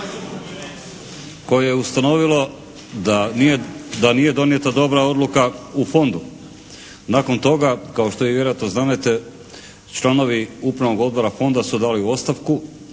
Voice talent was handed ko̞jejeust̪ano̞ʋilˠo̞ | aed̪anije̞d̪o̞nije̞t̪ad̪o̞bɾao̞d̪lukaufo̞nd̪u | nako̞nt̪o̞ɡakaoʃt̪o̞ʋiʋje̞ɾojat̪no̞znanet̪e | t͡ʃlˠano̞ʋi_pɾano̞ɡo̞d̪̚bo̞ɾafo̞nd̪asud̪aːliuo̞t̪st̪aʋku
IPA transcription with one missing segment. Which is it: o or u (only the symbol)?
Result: u